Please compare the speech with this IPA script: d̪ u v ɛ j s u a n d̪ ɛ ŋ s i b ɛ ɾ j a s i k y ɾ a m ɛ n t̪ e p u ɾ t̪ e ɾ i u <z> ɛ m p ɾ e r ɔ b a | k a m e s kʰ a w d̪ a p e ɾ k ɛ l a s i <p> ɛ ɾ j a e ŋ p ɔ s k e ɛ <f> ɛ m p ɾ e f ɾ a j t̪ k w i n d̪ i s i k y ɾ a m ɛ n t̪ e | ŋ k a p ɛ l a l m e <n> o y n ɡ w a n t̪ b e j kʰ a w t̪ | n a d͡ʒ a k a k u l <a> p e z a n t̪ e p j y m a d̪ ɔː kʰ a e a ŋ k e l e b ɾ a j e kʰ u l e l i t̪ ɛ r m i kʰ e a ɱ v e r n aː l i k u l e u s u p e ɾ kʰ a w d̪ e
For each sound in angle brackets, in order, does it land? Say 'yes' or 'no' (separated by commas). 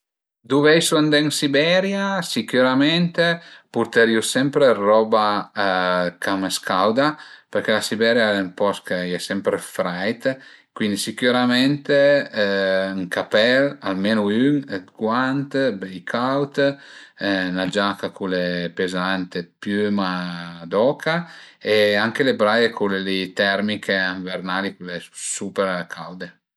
no, no, no, yes, no